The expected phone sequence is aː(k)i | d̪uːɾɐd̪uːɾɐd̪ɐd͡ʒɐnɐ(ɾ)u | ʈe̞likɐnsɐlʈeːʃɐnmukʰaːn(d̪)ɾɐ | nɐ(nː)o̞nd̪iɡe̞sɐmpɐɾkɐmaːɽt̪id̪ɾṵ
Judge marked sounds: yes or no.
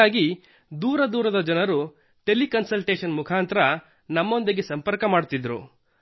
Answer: no, yes, no, no

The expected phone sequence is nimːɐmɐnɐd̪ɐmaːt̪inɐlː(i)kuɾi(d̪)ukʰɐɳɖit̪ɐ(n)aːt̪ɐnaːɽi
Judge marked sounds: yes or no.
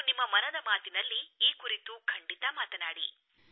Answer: no, no, no

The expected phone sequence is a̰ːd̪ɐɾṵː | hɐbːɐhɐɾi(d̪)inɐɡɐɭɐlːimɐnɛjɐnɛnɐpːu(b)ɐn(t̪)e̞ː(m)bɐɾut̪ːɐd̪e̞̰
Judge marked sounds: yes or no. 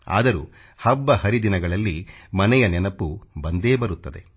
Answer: yes, yes, no, no

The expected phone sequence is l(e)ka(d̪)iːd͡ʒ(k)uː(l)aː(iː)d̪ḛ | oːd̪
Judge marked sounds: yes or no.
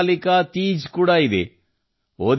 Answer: no, no, yes, no, no

